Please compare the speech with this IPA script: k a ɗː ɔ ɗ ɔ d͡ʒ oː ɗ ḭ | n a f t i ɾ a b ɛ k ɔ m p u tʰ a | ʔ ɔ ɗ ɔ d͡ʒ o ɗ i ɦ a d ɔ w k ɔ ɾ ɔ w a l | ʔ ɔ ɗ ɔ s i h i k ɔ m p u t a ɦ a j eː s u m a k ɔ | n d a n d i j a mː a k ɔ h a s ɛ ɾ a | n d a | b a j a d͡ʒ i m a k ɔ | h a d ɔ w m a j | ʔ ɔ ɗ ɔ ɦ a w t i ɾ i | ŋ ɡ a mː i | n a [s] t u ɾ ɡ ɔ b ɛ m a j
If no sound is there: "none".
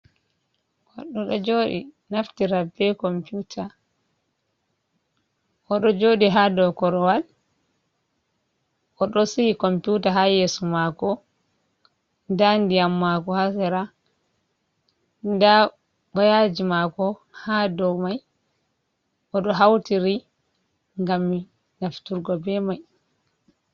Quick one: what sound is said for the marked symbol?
f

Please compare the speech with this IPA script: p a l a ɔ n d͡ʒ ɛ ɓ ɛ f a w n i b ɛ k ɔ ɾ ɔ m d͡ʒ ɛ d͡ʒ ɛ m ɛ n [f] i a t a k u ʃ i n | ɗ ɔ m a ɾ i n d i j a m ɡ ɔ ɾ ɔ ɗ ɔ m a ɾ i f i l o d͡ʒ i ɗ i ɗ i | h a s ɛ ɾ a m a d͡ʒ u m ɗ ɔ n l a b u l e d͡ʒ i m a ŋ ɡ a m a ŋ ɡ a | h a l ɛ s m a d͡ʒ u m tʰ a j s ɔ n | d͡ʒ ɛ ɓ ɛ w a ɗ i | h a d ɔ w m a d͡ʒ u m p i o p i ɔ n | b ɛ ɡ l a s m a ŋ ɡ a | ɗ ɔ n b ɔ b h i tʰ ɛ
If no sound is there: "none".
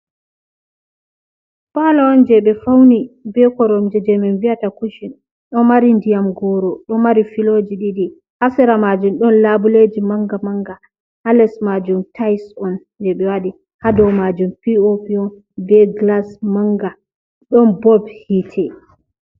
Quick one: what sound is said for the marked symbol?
v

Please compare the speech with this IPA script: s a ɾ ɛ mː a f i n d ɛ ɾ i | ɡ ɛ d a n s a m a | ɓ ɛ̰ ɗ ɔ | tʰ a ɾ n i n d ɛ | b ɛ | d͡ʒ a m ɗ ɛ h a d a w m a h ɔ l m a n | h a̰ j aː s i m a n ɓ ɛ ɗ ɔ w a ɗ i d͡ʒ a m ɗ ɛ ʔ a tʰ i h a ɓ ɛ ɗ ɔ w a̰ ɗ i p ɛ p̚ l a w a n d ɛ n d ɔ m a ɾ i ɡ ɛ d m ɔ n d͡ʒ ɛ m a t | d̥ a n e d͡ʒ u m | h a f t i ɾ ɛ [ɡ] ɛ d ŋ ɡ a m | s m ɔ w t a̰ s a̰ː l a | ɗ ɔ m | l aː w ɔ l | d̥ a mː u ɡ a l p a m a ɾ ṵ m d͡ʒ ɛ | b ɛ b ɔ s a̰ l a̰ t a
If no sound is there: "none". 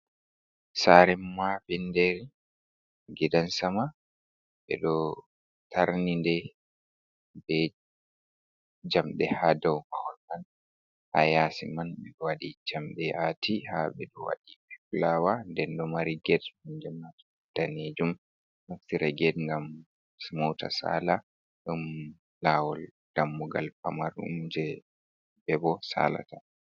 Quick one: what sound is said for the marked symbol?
ɡ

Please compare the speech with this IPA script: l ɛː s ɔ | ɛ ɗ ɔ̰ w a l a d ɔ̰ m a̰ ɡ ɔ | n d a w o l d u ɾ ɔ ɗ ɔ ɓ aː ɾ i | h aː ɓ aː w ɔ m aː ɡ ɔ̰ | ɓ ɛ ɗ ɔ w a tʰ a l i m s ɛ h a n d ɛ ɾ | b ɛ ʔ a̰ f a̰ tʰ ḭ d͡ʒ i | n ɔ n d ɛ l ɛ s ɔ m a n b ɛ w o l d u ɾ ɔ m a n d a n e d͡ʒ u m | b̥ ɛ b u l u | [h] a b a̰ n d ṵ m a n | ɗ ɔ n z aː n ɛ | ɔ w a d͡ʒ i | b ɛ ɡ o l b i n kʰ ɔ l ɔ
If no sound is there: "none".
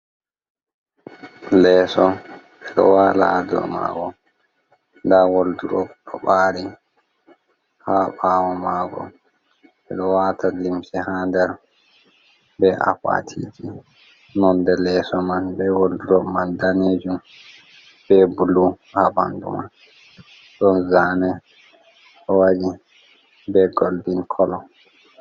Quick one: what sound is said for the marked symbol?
h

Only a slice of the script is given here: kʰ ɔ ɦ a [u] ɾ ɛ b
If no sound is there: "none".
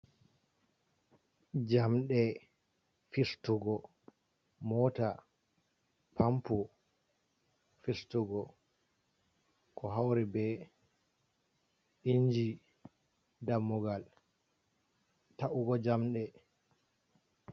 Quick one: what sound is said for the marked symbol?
w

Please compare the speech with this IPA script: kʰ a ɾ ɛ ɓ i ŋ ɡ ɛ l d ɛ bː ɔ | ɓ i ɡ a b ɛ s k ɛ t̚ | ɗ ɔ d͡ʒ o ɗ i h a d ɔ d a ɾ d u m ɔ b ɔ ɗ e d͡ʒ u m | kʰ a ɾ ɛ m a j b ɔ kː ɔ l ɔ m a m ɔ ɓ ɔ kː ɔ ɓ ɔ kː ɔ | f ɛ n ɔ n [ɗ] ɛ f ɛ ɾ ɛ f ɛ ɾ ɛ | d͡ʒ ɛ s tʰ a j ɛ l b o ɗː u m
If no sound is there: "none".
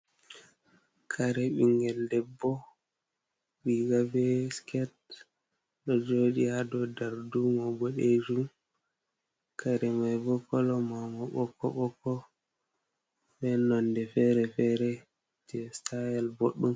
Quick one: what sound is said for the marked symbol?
d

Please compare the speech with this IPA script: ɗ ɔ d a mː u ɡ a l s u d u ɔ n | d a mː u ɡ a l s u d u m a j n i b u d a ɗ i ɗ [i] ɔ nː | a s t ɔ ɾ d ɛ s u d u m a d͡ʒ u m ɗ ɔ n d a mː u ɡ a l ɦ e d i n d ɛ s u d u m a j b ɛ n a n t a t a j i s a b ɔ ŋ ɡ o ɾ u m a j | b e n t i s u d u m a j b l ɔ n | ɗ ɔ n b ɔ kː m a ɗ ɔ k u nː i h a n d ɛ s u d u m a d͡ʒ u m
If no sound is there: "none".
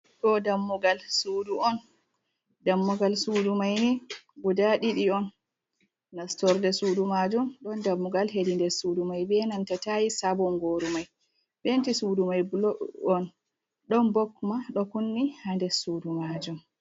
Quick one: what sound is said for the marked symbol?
i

